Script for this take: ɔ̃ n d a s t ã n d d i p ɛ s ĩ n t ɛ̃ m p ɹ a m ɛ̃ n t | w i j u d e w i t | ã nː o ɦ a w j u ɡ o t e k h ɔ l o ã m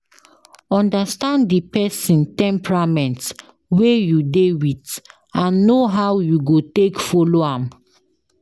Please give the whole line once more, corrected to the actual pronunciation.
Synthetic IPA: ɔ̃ n d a s t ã n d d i p ɛ s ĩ n t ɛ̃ m p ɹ a m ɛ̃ n t | w e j u d e w i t | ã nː o ɦ a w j u ɡ o t e k f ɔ l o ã m